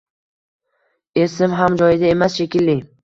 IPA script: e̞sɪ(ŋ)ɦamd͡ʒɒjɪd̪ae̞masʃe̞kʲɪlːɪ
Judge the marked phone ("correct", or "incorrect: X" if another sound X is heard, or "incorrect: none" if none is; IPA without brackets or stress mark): incorrect: m